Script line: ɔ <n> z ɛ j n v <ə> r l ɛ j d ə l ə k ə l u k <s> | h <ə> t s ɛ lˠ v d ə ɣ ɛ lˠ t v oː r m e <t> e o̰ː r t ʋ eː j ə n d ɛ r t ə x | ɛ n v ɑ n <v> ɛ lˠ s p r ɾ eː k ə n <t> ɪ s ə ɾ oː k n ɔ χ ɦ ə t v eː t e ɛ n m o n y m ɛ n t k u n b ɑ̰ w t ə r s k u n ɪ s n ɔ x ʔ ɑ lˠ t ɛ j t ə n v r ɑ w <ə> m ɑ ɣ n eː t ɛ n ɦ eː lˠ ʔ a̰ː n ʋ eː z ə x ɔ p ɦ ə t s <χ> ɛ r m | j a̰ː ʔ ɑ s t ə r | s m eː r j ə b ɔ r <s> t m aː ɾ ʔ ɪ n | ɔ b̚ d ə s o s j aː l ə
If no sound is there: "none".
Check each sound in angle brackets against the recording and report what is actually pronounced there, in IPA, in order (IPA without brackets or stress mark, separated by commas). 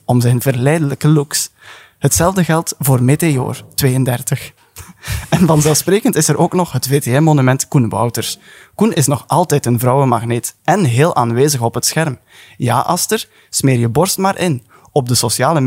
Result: m, ə, s, ə, t, z, t, ə, x, s